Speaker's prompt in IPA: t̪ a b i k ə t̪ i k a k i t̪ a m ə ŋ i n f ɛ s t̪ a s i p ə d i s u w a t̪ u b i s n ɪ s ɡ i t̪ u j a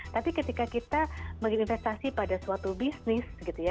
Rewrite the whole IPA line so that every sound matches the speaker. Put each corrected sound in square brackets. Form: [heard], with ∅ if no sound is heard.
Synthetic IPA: t̪ a [p] i k ə t̪ i k a k i t̪ a m ə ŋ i n f ɛ s t̪ a s i p [a] d [a] s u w a t̪ u b i s n ɪ s ɡ i t̪ u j a